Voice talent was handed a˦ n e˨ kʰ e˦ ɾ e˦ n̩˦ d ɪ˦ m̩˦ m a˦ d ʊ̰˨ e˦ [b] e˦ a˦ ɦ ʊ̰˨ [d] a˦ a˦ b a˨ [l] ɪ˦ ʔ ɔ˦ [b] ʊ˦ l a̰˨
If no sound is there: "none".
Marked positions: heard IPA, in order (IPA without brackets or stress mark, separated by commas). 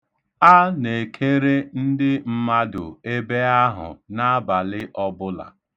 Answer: b, n, l, b